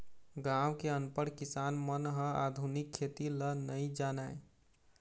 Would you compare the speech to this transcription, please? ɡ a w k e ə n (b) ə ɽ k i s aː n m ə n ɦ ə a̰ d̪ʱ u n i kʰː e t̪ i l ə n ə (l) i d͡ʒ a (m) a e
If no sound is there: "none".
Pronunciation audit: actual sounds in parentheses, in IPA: p, none, n

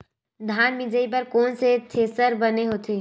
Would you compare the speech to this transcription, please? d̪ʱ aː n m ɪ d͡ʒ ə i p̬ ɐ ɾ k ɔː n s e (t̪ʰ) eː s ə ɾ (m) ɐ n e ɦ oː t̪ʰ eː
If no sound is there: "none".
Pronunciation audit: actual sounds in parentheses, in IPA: t̪ʰ, b

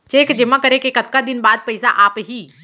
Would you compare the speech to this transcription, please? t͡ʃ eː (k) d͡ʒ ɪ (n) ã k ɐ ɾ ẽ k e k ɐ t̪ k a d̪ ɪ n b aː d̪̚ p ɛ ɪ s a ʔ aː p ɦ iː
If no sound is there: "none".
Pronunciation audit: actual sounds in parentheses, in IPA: k, m

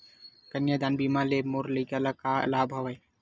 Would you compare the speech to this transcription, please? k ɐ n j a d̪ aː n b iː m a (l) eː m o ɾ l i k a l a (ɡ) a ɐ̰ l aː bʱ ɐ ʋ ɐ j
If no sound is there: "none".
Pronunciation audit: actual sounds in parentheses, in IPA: l, k

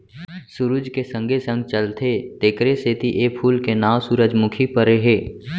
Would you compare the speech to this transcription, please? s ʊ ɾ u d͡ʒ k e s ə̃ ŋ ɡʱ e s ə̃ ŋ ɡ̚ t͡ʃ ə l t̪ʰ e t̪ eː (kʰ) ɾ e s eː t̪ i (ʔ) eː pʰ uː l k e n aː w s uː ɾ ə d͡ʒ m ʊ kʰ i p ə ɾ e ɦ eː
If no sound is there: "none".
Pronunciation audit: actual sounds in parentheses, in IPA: k, ʔ

